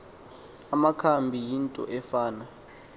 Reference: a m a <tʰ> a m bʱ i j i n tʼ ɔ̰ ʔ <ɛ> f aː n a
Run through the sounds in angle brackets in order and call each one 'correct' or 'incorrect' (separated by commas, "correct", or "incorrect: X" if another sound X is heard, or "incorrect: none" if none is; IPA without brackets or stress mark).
incorrect: kʰ, correct